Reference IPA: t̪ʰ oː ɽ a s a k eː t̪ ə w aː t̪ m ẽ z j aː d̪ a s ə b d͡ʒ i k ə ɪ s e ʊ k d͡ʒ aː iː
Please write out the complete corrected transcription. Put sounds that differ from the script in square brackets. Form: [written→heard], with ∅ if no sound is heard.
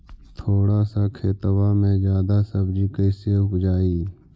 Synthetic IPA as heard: t̪ʰ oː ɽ a s a [k→kʰ] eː t̪ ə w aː [t̪→∅] m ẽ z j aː d̪ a s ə b d͡ʒ i k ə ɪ s e ʊ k d͡ʒ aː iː

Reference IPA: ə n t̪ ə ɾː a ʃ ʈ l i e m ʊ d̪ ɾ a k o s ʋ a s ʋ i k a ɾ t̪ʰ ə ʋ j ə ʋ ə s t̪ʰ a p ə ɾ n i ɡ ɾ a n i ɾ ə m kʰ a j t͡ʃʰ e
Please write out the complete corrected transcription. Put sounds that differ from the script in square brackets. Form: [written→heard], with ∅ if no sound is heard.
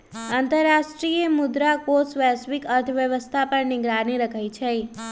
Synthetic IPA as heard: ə n t̪ ə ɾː a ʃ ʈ [l→ɾ] i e m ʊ d̪ ɾ a k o s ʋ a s ʋ i k [a→ə] ɾ t̪ʰ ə ʋ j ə ʋ ə s t̪ʰ a p ə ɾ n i ɡ ɾ a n i ɾ ə [m→∅] kʰ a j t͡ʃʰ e

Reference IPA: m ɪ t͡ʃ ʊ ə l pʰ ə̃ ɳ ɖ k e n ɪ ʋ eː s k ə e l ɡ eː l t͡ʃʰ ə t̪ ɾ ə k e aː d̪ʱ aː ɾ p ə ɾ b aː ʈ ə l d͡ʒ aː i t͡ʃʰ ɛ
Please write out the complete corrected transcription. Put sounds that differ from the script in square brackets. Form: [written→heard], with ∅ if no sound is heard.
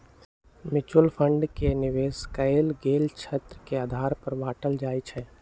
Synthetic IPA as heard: m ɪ t͡ʃ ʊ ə l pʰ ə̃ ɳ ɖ k e n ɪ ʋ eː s k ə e l ɡ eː l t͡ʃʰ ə t̪ ɾ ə k e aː d̪ʱ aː ɾ p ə ɾ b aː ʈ ə l d͡ʒ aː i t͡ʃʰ ɛ

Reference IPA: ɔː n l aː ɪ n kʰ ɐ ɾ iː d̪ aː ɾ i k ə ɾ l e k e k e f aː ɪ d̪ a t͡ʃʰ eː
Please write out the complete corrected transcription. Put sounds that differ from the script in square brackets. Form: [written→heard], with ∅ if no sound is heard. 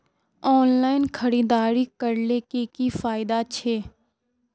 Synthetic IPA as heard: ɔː n l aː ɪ n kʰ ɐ ɾ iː d̪ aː ɾ i k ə ɾ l e k e k [e→i] f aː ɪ d̪ a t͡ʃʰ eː

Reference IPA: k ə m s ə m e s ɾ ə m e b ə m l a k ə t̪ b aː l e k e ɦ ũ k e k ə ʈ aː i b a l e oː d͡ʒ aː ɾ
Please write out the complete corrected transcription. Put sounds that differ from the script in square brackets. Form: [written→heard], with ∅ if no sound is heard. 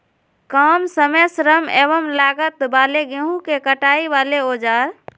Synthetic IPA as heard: k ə m s ə m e s ɾ ə m e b ə m l a [k→ɡ] ə t̪ b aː l e [k→ɡ] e ɦ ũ k e k ə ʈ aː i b a l e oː d͡ʒ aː ɾ

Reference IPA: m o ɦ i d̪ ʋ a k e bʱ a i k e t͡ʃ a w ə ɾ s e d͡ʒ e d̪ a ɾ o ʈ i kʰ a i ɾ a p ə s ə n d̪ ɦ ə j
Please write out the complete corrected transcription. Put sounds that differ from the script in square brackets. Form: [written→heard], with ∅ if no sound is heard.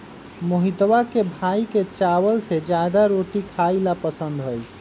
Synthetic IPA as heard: m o ɦ i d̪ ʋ a k e bʱ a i k e t͡ʃ a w ə [ɾ→l] s e d͡ʒ [e→a] d̪ a ɾ o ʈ i kʰ a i [ɾ→l] a p ə s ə n d̪ ɦ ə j

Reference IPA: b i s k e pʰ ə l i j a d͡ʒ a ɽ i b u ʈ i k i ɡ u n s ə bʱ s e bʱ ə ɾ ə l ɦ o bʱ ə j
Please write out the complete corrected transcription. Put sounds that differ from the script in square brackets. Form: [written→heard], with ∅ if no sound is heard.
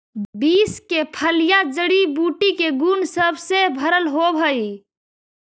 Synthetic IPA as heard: b i s k e pʰ ə l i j a d͡ʒ [a→ə] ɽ i b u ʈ i k [i→e] ɡ u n s ə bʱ s e bʱ ə ɾ ə l ɦ o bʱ ə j

